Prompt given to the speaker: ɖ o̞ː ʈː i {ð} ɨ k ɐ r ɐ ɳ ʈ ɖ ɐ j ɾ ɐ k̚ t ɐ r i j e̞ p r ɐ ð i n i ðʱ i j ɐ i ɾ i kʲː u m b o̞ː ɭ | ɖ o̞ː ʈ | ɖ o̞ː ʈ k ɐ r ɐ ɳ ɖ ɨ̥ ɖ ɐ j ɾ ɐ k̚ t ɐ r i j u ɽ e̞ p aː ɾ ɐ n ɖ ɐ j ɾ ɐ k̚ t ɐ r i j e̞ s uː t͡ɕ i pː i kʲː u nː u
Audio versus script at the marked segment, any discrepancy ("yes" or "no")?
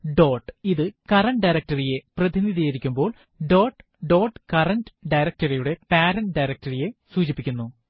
no